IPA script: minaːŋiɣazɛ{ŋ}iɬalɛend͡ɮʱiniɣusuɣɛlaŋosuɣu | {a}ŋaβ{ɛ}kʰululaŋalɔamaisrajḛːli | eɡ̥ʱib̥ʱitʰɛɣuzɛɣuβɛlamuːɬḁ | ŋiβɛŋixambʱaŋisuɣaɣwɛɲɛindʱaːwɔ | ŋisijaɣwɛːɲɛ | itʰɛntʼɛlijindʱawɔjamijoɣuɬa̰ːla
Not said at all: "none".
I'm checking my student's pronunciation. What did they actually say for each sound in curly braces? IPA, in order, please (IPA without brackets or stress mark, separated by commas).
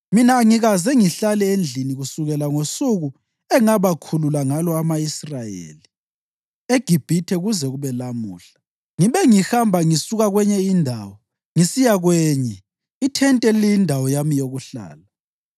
ŋ, ɛ, a